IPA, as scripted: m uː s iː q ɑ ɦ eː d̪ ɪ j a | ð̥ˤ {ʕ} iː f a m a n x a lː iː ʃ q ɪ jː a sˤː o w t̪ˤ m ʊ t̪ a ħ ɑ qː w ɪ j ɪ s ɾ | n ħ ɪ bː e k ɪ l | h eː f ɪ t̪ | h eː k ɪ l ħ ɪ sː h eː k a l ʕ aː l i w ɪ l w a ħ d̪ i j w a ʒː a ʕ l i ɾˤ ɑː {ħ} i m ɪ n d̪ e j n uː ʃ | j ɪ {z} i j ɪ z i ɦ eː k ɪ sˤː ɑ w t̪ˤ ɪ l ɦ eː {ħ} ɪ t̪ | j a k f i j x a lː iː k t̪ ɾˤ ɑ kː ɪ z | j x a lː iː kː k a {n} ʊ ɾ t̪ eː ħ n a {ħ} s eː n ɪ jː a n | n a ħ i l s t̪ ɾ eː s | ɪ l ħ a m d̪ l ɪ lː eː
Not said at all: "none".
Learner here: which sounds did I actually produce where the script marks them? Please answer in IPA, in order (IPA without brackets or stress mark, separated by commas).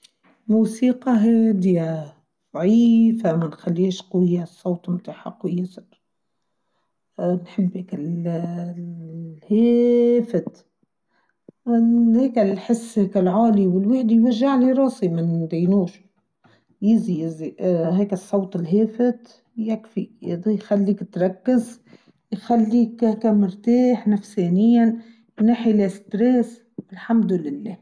ʕ, s, z, f, m, f